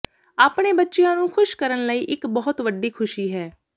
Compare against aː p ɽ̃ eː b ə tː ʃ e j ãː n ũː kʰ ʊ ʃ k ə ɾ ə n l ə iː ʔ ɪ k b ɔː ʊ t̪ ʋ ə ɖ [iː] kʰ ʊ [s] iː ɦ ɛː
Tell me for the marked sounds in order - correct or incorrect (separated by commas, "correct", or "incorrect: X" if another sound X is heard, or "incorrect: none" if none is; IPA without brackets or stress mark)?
correct, incorrect: ʃ